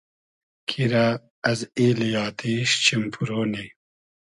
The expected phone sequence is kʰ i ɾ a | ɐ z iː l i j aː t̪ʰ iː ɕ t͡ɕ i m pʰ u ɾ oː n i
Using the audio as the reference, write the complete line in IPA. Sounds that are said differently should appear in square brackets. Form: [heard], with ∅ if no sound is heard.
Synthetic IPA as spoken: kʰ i ɾ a | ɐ z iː l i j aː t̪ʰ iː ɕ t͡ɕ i m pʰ u ɾ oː n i